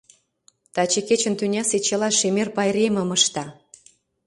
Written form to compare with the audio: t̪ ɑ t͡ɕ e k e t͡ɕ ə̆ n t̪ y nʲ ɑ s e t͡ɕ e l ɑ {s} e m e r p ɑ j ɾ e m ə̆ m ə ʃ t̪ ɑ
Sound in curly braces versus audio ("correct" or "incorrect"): incorrect